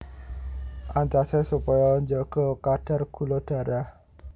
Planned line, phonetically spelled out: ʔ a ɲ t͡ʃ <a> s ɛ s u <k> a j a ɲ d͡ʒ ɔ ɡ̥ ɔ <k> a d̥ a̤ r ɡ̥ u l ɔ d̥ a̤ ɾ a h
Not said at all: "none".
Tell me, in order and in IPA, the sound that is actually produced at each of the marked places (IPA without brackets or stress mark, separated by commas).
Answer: a, p, k